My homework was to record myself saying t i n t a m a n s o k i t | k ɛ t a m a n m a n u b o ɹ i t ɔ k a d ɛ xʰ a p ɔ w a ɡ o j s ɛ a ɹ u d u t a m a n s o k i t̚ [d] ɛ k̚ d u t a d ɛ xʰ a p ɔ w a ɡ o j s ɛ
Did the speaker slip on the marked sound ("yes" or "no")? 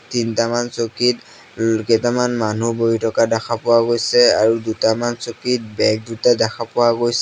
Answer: yes